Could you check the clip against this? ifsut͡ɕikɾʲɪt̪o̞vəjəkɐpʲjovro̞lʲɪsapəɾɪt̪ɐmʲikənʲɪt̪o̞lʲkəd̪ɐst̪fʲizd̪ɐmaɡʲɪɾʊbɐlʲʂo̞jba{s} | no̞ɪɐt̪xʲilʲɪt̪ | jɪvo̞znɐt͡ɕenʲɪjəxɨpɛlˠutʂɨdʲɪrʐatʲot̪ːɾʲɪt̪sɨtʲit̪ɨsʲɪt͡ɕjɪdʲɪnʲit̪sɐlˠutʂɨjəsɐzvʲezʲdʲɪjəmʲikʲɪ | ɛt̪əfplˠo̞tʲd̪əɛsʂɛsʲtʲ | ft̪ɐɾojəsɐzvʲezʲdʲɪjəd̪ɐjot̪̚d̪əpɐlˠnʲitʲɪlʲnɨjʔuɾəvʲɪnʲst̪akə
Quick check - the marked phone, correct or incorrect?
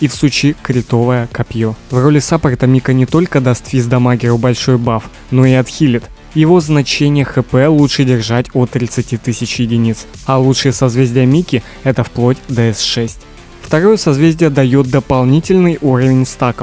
incorrect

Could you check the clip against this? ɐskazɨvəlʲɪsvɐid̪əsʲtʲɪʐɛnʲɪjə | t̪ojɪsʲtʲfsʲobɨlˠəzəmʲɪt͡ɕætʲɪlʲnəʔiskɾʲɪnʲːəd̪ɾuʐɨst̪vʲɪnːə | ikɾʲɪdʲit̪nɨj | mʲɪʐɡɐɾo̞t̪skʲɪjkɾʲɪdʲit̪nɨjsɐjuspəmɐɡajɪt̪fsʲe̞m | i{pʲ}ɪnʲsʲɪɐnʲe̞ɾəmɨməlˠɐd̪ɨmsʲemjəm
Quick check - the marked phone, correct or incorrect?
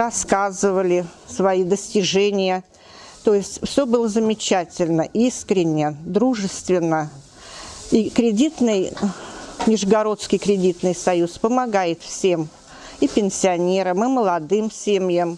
correct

